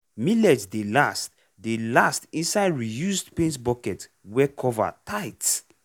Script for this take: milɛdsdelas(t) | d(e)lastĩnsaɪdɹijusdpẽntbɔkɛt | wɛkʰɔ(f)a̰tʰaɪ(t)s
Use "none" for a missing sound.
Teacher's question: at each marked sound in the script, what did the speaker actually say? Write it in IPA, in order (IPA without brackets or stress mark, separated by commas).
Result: t, e, v, t